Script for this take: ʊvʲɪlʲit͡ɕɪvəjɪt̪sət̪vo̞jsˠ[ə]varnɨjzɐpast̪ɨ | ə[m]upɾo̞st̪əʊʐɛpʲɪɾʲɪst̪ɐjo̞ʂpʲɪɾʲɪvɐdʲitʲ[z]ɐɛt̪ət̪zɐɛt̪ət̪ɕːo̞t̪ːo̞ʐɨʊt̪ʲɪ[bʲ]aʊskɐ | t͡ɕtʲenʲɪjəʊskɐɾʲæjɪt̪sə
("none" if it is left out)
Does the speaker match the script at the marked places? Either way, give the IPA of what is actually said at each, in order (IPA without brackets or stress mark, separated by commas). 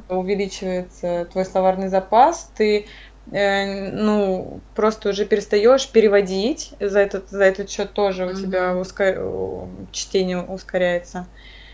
ɐ, n, z, bʲ